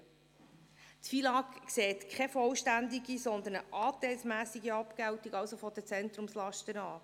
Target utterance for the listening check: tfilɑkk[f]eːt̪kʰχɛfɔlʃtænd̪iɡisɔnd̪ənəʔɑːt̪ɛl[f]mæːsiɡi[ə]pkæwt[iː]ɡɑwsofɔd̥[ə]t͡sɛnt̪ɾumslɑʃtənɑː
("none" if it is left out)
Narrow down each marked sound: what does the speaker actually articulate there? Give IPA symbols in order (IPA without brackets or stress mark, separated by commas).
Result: s, s, ɑ, i, ə